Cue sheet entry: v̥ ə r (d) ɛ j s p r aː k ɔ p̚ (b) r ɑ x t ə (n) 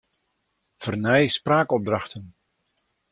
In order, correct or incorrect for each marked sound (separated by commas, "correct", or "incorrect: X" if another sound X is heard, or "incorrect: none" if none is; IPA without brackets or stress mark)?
incorrect: n, incorrect: d, correct